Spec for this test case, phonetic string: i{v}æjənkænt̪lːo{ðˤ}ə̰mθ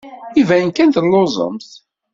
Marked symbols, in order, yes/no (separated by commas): yes, no